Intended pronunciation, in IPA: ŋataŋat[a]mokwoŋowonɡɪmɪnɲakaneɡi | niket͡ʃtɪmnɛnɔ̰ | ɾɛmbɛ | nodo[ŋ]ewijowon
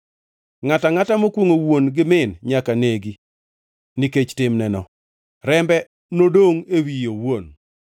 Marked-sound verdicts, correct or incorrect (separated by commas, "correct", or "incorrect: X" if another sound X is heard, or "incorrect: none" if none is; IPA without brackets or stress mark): correct, correct